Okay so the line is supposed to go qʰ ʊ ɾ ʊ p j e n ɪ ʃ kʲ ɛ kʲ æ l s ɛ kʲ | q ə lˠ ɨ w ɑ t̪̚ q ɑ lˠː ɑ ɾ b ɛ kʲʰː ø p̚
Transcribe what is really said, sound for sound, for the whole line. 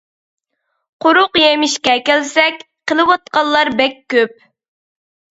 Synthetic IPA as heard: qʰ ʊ ɾ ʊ q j e m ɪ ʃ kʲ ɛ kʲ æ l s ɛ kʲ | q ə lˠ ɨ w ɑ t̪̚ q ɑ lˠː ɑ ɾ b ɛ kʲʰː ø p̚